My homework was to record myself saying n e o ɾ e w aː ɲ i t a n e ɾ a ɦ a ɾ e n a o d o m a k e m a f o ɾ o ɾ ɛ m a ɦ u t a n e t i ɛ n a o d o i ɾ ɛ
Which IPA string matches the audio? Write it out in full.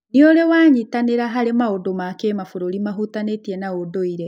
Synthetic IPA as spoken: n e o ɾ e w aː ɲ i t a n e ɾ a ɦ a ɾ e m a o d o m a k e m a f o ɾ o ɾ i m a ɦ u t a n e t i ɛ n a o d o i ɾ ɛ